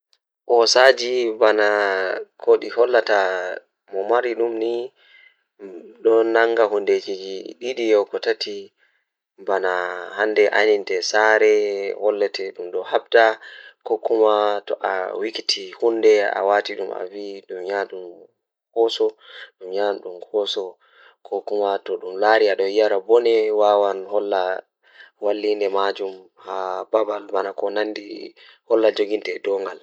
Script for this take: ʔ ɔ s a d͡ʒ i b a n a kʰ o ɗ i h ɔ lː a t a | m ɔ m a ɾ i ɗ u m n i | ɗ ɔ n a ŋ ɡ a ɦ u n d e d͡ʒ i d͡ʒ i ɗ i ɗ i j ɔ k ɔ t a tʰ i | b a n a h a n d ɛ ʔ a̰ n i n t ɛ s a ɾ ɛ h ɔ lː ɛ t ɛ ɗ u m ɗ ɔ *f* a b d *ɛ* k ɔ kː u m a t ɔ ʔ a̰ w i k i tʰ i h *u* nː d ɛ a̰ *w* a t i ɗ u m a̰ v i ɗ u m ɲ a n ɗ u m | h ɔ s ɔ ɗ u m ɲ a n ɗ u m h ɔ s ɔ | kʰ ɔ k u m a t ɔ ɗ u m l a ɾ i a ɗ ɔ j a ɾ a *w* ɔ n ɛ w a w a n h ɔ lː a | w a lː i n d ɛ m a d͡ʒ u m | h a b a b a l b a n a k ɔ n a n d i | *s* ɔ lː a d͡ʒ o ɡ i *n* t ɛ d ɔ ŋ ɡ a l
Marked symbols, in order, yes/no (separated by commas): no, no, yes, yes, no, no, yes